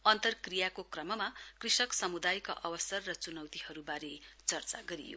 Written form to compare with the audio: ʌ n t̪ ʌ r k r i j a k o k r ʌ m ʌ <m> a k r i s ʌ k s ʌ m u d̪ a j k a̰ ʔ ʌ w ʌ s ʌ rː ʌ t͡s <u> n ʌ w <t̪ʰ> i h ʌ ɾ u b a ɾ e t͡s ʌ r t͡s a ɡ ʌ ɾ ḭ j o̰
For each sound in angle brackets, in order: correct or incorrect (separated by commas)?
correct, correct, incorrect